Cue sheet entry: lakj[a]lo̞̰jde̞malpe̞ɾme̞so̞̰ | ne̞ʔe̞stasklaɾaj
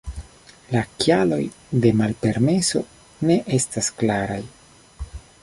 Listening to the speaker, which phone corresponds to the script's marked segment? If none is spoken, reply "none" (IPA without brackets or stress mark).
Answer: a